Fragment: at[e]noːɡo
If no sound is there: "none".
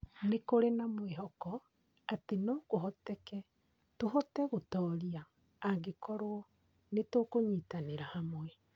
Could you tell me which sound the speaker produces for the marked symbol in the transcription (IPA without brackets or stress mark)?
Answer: e